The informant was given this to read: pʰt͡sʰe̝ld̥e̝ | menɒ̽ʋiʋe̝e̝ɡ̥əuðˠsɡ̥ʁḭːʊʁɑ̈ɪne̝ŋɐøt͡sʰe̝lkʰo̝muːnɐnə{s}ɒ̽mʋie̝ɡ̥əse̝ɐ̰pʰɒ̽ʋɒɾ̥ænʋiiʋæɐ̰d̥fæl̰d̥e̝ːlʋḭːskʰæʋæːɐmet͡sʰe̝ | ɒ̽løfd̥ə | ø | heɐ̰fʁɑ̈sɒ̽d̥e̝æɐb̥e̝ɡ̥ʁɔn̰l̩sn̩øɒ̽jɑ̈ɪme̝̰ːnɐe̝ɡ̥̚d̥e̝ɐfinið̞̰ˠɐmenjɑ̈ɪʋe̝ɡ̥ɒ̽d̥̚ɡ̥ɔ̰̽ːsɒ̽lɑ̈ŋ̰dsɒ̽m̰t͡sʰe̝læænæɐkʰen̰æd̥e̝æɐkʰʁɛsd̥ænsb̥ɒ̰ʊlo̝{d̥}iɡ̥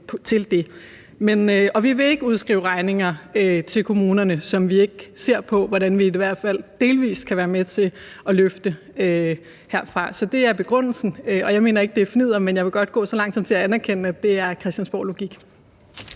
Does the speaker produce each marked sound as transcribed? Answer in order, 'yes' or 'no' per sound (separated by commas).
yes, no